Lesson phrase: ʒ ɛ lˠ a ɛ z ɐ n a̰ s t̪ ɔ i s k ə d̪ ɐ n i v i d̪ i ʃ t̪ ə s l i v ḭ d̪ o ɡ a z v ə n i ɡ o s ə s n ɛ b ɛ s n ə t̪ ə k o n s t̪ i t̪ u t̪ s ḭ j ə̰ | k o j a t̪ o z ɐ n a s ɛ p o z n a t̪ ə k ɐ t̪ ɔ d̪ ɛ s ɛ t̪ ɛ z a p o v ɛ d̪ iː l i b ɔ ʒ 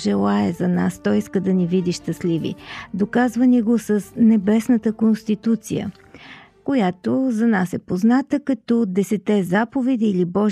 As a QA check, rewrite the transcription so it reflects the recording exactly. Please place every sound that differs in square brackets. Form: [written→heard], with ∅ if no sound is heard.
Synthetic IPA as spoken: ʒ ɛ lˠ a ɛ z ɐ n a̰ s t̪ ɔ i s k ə d̪ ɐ n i v i d̪ i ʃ t̪ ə s l i v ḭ d̪ o [ɡ→k] a z v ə n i ɡ o s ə s n ɛ b ɛ s n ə t̪ ə k o n s t̪ i t̪ u t̪ s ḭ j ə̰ | k o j a t̪ o z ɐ n a s ɛ p o z n a t̪ ə k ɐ t̪ ɔ d̪ ɛ s ɛ t̪ ɛ z a p o v ɛ d̪ iː l i b ɔ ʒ